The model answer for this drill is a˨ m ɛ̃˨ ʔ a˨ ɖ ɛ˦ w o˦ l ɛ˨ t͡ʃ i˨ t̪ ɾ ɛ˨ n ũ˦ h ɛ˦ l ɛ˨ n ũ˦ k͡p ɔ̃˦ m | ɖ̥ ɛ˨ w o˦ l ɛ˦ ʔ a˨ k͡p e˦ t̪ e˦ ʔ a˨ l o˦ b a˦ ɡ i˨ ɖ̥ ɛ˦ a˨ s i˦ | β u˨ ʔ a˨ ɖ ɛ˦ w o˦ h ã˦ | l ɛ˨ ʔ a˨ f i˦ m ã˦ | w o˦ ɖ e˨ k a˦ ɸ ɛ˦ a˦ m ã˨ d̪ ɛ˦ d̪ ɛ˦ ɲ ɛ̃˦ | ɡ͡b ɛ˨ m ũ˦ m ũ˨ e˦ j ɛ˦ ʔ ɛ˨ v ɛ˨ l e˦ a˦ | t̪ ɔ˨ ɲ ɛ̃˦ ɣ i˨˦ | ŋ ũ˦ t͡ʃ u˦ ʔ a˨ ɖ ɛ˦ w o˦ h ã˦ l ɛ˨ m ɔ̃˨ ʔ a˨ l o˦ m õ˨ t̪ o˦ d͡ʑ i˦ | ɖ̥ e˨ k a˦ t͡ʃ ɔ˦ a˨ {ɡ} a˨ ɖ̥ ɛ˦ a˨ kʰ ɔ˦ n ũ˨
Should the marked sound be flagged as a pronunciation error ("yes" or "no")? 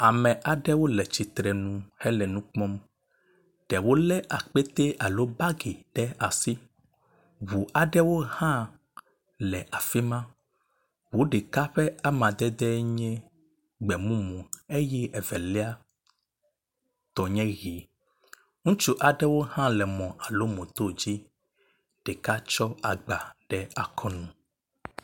yes